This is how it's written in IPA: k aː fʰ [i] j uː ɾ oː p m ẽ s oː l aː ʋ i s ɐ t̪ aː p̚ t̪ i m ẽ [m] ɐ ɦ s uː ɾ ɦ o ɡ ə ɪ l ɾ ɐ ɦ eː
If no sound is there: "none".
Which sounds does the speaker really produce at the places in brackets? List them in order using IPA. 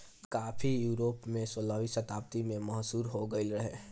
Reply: i, m

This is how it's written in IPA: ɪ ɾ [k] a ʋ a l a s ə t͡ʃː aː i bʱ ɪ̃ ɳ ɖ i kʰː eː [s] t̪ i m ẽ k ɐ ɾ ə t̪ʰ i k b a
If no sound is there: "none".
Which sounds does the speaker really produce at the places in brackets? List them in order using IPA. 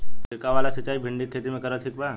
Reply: k, none

